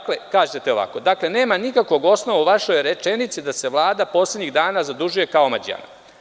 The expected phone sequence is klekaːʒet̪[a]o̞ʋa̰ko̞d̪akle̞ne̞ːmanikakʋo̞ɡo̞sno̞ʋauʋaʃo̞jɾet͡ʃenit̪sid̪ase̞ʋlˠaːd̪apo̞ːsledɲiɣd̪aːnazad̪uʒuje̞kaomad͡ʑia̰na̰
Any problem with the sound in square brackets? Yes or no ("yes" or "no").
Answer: yes